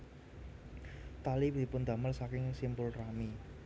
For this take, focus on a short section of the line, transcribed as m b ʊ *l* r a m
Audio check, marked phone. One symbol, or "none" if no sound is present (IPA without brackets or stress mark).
l